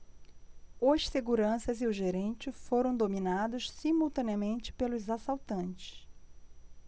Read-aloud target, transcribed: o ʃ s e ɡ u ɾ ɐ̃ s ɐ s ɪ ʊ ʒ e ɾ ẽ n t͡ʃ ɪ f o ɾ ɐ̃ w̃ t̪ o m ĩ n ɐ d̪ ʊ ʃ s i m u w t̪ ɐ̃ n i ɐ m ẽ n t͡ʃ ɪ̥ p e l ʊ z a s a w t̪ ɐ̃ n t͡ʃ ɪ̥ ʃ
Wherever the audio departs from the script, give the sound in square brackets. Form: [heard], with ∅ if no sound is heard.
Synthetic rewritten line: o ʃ s e ɡ u ɾ ɐ̃ s ɐ [z] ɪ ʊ ʒ e ɾ ẽ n t͡ʃ ɪ f o ɾ ɐ̃ w̃ [d̪] o m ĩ n [a] d̪ ʊ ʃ s i m u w t̪ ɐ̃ n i ɐ m ẽ n t͡ʃ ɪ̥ p e l ʊ z a s a w t̪ ɐ̃ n t͡ʃ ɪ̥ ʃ